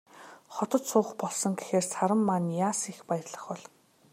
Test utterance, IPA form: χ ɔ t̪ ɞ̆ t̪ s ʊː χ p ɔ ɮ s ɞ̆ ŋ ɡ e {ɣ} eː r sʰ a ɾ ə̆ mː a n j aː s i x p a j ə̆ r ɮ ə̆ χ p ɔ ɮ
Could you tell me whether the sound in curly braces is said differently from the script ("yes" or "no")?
yes